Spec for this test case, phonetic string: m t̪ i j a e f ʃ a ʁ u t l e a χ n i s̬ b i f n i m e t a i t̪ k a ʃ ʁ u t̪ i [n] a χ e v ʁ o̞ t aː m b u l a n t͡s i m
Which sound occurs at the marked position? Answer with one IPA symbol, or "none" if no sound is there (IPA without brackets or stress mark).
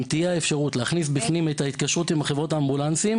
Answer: m